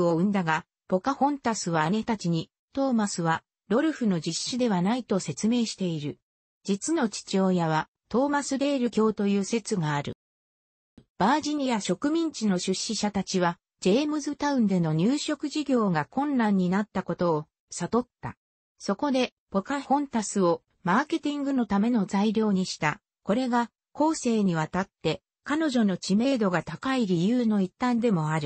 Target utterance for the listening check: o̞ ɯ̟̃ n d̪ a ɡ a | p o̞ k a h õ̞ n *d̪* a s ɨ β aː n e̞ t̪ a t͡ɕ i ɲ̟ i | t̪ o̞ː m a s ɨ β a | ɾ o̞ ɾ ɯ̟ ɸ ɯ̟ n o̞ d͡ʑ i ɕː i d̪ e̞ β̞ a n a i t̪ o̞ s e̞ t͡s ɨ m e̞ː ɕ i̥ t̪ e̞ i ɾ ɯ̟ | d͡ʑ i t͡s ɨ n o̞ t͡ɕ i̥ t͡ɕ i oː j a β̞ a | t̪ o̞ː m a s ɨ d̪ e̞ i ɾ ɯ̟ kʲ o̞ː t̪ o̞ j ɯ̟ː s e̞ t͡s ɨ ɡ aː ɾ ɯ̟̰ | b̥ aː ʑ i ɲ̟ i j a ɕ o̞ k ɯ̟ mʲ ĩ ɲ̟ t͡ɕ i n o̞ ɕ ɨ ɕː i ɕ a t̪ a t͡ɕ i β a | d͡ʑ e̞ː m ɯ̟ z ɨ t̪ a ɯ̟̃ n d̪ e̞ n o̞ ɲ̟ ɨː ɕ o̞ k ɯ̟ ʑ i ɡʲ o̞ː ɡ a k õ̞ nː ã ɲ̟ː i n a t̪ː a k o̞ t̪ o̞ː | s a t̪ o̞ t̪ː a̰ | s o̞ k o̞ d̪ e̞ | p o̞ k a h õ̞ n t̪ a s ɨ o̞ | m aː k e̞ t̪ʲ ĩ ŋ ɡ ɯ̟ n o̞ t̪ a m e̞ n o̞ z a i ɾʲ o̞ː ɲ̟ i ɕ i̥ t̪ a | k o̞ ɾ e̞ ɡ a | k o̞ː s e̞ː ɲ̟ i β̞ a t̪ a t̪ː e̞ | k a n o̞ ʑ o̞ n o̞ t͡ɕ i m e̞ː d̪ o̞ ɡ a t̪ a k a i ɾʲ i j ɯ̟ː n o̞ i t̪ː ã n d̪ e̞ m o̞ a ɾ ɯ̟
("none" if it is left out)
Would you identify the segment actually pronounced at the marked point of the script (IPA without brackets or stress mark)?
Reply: t̪